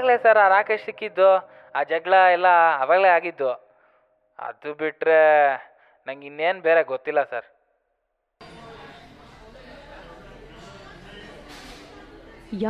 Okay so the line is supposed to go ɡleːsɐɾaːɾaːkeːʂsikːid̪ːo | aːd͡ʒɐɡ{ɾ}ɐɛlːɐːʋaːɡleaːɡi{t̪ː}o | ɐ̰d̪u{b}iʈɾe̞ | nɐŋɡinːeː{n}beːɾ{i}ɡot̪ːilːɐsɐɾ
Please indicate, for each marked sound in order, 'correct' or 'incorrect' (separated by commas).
incorrect, incorrect, correct, correct, incorrect